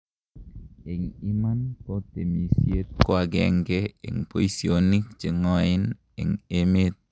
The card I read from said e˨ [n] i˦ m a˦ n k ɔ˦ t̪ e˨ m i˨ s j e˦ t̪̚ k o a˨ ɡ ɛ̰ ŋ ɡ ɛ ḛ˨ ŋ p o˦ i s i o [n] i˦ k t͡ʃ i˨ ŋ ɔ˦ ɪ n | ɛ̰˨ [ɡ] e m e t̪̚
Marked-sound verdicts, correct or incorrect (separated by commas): incorrect, correct, incorrect